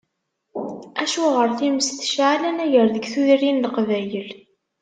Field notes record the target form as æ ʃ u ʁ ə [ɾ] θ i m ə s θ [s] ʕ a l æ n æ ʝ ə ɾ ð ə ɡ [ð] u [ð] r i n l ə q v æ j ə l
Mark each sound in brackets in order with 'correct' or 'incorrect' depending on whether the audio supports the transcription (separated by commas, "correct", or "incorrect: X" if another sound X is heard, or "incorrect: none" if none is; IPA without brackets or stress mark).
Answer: correct, incorrect: ʃ, incorrect: θ, correct